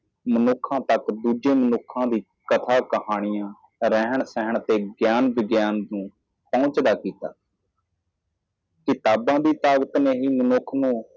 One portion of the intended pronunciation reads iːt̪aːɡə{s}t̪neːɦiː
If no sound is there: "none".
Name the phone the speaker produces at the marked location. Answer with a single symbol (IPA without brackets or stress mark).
none